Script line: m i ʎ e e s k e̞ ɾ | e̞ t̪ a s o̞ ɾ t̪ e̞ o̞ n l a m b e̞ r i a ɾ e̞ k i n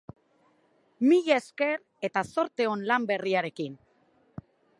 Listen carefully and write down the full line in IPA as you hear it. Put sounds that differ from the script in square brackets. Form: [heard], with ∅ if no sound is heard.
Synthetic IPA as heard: m i ʎ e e s k e̞ ɾ | e̞ t̪ a s o̞ ɾ t̪ e̞ o̞ n l a m b e̞ r i a ɾ e̞ k i n